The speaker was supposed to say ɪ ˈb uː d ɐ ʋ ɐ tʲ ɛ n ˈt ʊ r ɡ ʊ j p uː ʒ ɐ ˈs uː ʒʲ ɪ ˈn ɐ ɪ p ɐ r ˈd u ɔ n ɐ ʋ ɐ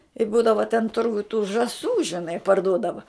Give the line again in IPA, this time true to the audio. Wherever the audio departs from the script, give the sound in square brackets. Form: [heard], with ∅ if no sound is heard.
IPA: ɪ ˈb uː d ɐ ʋ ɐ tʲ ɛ n ˈt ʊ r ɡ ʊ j [t] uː ʒ ɐ ˈs uː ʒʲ ɪ ˈn ɐ ɪ p ɐ r ˈd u ɔ [d] ɐ ʋ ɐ